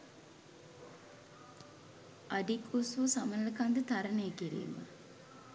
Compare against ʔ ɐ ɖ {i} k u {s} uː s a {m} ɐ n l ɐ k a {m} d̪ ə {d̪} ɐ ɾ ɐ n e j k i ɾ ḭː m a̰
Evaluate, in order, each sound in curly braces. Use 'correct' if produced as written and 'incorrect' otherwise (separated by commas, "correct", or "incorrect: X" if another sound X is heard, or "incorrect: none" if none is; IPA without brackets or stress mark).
correct, correct, correct, incorrect: n, incorrect: t̪